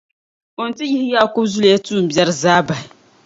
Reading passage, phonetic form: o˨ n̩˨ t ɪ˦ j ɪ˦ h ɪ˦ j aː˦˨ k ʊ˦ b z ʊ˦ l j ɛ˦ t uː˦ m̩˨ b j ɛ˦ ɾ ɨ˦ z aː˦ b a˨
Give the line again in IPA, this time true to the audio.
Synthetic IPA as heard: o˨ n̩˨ t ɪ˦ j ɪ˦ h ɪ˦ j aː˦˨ k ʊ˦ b z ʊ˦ l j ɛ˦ t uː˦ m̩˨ b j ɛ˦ ɾ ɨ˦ z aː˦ b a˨